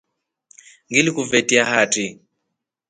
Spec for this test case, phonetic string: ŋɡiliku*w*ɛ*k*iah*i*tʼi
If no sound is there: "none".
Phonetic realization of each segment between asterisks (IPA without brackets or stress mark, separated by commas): v, t, a